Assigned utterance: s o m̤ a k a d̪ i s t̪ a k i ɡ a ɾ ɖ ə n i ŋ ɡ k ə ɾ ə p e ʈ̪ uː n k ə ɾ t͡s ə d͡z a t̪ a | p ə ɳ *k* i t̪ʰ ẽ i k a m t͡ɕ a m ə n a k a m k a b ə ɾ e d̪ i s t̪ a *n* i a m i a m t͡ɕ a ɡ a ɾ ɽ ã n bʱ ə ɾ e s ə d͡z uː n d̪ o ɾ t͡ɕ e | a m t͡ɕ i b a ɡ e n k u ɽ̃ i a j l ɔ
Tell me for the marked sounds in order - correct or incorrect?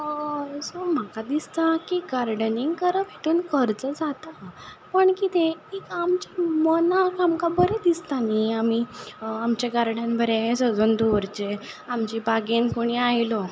correct, correct

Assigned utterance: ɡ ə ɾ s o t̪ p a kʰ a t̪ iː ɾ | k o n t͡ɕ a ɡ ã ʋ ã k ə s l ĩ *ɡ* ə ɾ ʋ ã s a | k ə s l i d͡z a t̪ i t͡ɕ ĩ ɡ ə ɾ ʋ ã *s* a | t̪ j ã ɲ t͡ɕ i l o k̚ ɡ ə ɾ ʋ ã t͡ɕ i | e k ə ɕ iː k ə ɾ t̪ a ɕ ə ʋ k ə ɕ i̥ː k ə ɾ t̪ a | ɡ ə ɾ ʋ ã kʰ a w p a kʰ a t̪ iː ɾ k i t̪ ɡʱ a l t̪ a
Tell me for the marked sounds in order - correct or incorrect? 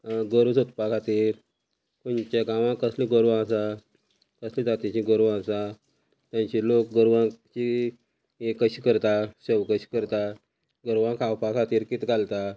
correct, correct

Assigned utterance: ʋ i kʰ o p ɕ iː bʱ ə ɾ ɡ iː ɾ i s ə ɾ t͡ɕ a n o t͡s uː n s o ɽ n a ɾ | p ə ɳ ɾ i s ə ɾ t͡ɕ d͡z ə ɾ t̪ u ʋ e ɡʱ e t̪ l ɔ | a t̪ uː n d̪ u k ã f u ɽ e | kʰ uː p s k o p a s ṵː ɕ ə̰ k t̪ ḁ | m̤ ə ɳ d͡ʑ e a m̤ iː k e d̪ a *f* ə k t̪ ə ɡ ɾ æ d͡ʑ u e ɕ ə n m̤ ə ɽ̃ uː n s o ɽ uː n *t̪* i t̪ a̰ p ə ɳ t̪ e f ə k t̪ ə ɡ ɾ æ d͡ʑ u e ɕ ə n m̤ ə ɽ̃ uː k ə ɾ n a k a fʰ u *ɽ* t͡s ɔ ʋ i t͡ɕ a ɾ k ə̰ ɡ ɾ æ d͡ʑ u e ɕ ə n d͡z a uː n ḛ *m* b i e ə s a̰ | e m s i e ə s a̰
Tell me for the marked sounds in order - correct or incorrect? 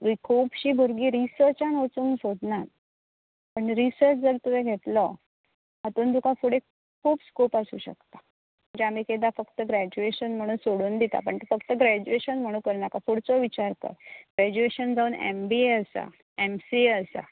correct, incorrect: d̪, correct, correct

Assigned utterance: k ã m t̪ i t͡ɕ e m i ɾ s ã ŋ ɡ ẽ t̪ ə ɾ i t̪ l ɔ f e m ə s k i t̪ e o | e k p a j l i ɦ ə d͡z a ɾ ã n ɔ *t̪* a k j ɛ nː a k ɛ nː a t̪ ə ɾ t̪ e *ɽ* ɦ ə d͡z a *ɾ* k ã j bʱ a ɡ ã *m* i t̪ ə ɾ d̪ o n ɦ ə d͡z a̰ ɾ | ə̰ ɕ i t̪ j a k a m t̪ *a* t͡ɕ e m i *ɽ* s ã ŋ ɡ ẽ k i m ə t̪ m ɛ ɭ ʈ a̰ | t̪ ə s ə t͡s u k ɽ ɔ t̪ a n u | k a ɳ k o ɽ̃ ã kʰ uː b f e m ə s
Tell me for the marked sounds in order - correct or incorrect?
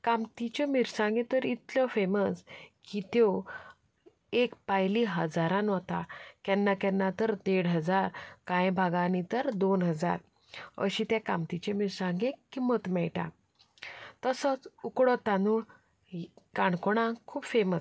correct, correct, correct, incorrect: n, incorrect: i, incorrect: ɾ

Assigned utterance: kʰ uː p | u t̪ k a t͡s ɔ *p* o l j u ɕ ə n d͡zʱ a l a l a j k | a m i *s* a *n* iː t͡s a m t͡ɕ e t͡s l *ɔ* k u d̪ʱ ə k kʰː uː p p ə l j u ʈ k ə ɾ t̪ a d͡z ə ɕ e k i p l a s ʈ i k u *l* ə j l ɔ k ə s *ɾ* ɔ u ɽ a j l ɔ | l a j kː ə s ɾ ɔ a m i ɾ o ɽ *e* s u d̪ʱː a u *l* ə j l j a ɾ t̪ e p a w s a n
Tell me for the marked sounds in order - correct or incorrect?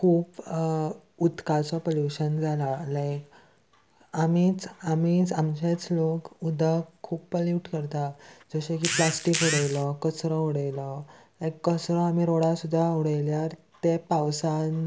correct, incorrect: t͡s, incorrect: m, incorrect: o, incorrect: ɽ, correct, incorrect: a, incorrect: ɽ

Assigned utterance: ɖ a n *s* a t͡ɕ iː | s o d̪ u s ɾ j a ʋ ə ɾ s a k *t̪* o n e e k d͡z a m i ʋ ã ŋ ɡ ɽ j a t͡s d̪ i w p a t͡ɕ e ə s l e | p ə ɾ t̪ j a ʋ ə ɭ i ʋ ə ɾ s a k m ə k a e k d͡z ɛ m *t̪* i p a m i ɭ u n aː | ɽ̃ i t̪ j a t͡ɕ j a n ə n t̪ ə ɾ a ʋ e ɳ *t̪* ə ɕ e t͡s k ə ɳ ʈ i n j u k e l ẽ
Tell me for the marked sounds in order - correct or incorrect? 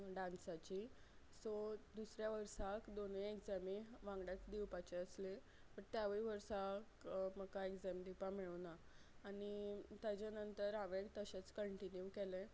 correct, incorrect: d̪, incorrect: d̪, correct

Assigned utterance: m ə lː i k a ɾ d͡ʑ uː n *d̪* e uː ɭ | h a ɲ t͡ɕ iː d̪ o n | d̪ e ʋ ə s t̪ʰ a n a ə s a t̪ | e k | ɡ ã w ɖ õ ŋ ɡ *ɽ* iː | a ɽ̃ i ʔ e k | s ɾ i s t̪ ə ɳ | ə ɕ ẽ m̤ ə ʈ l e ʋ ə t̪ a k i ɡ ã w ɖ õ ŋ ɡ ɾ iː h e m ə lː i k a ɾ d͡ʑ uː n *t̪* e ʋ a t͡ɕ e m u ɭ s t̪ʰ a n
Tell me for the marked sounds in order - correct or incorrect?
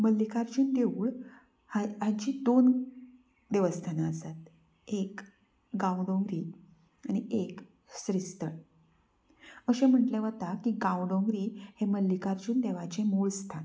correct, incorrect: ɾ, incorrect: d̪

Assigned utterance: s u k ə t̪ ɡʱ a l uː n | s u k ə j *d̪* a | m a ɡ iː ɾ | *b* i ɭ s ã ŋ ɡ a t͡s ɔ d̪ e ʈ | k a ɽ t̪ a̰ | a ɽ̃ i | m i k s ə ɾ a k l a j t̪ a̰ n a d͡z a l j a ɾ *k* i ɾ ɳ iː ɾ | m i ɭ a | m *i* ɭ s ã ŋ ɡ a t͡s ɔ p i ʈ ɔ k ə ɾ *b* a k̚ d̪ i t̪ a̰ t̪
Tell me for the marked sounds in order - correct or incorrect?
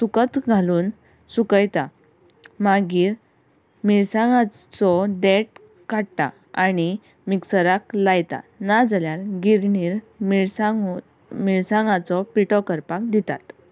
incorrect: t̪, incorrect: m, incorrect: ɡ, correct, incorrect: p

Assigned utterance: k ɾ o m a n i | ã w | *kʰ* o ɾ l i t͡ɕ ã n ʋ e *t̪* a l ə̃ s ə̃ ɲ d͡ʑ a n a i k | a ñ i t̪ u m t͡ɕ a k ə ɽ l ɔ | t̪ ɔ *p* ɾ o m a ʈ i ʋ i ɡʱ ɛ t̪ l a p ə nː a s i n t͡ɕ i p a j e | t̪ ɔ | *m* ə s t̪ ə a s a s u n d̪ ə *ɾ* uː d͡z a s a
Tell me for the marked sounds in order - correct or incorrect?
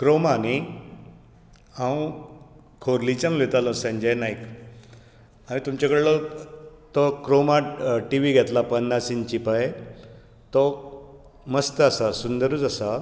correct, correct, incorrect: k, correct, correct

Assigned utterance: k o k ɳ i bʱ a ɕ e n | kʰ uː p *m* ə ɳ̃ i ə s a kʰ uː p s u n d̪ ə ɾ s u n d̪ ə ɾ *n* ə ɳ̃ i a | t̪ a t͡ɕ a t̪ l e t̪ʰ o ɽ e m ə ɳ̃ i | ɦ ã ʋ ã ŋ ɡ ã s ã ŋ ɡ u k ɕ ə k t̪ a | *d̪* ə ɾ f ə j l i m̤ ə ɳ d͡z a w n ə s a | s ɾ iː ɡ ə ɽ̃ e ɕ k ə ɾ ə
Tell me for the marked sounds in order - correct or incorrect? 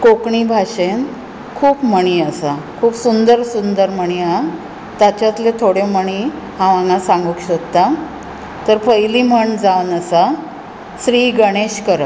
correct, incorrect: m, incorrect: t̪

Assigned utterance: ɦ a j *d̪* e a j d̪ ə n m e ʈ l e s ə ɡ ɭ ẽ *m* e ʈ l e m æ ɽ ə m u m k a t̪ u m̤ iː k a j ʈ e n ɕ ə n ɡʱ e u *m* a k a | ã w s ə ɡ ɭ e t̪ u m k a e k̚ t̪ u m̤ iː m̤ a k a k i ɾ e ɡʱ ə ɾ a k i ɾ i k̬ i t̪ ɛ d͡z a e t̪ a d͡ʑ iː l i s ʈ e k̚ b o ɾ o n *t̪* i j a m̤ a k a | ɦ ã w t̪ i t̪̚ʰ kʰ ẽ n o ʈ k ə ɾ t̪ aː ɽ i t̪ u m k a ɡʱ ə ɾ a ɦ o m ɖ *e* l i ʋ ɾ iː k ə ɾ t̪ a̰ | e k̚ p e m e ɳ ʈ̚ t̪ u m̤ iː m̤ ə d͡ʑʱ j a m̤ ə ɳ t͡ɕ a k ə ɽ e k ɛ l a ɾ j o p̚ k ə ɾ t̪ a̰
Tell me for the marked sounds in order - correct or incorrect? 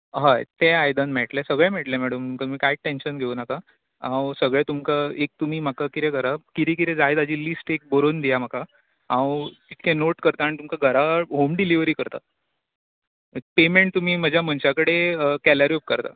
incorrect: t̪, correct, incorrect: n, incorrect: d̪, incorrect: i

